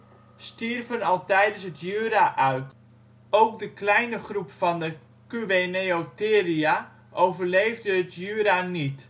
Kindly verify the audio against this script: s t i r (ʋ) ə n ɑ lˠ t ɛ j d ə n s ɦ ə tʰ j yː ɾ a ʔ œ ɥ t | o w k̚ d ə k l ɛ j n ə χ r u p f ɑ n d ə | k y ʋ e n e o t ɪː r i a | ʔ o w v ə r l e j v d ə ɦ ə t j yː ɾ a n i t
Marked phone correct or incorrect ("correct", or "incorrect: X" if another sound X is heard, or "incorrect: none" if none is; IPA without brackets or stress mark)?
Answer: incorrect: v